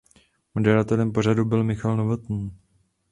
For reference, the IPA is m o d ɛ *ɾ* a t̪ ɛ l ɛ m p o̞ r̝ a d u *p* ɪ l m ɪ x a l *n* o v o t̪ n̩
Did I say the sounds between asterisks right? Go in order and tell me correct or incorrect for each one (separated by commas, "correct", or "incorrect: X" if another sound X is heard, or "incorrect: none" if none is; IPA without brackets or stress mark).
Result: correct, incorrect: b, correct